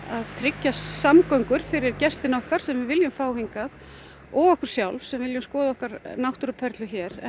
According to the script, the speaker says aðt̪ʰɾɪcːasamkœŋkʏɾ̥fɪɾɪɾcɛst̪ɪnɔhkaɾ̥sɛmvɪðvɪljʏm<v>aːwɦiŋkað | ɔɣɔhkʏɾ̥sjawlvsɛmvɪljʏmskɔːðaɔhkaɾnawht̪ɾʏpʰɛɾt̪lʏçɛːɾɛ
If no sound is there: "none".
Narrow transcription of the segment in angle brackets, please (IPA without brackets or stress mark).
f